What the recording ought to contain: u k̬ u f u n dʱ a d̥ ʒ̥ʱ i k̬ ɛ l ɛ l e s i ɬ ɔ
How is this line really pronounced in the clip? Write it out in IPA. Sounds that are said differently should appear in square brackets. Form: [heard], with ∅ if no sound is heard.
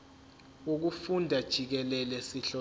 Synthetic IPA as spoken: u k̬ u f u n dʱ a d̥ ʒ̥ʱ i k̬ ɛ l ɛ l [ɛ] s i ɬ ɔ